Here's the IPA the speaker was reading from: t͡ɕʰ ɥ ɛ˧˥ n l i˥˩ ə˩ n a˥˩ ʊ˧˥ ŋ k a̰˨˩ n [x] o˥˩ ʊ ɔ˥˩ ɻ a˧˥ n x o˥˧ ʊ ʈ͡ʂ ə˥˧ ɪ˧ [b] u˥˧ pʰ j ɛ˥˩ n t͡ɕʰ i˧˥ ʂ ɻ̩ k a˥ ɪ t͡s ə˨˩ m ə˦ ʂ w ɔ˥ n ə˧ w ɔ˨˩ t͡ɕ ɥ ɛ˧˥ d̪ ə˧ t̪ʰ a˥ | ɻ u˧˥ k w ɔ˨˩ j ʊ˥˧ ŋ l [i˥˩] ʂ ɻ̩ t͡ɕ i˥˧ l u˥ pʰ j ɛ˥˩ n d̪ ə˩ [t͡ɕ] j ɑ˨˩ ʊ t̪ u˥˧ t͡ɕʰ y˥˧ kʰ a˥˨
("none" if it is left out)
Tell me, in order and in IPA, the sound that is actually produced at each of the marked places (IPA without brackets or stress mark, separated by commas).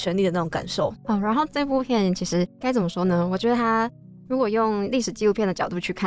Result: ʂ, p, i˥˩, t͡ɕ